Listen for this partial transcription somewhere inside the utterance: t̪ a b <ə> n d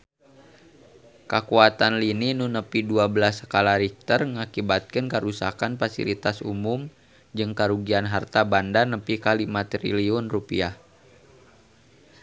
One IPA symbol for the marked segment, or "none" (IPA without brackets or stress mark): a